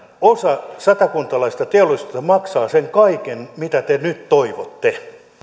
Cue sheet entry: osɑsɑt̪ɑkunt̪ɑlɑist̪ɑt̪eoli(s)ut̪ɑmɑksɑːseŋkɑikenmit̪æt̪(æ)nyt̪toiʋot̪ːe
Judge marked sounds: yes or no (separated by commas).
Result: yes, no